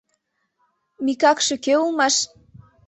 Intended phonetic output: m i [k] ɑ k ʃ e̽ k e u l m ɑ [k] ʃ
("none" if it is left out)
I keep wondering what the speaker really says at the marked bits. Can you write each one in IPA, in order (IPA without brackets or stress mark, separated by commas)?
k, none